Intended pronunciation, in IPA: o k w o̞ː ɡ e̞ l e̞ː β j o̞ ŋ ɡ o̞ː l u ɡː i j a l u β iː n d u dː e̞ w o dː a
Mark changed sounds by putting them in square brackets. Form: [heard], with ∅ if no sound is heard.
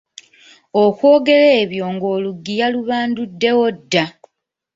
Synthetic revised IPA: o k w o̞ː ɡ e̞ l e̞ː β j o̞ ŋ ɡ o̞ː l u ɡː i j a l u β [aː] n d u dː e̞ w o dː a